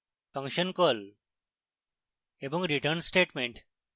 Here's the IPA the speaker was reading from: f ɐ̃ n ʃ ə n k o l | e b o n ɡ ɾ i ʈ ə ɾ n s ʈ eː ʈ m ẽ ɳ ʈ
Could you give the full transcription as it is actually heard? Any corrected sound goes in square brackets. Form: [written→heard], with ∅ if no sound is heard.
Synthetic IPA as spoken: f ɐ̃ [n→ŋ] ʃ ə n k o l | e b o [n→ŋ] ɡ ɾ i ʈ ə ɾ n s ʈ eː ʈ m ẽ ɳ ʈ